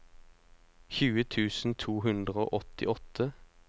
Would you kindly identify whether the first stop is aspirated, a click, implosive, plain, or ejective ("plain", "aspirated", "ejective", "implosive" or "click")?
aspirated